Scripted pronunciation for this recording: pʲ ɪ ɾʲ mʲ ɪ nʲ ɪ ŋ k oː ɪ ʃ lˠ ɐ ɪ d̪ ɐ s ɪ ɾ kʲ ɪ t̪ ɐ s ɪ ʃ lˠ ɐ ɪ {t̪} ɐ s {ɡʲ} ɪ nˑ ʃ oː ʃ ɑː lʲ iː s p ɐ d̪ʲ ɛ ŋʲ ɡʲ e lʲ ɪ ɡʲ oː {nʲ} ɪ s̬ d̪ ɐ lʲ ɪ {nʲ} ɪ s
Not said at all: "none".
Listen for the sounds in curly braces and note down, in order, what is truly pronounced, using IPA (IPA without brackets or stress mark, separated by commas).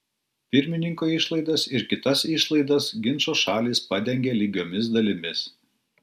d̪, ɡʲ, mʲ, mʲ